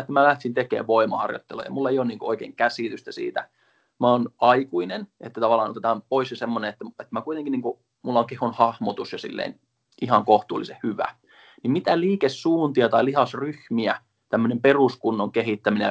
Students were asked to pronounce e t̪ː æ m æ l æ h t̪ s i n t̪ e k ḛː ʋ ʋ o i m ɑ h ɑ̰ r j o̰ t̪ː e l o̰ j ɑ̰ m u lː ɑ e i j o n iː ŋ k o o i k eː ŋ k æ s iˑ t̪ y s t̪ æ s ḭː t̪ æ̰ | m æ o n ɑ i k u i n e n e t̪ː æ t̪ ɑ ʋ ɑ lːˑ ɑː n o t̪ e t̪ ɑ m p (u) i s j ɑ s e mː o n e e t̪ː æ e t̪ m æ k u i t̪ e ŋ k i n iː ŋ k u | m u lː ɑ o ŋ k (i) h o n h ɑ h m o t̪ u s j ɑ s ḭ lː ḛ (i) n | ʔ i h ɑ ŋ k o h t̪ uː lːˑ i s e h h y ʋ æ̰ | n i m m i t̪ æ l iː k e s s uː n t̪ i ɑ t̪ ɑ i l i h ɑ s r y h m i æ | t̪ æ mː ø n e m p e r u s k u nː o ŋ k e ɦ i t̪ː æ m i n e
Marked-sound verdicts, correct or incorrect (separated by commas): incorrect, incorrect, correct